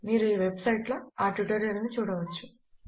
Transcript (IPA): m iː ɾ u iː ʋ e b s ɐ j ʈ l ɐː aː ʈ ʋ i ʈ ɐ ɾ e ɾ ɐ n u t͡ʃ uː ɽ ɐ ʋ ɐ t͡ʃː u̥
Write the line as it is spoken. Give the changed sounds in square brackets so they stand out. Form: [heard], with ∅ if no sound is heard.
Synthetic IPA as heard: m iː ɾ u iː ʋ e b s ɐ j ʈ l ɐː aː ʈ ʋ i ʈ ɐ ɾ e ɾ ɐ n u t͡ʃ uː ɽ ɐ ʋ ɐ t͡ʃː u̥